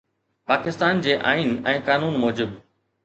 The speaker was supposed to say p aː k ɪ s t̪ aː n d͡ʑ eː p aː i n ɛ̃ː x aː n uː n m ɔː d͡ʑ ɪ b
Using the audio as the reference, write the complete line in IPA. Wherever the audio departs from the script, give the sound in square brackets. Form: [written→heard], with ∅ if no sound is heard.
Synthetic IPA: p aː k ɪ s t̪ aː n d͡ʑ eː [p→ʔ] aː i n ɛ̃ː [x→k] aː n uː n m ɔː d͡ʑ ɪ b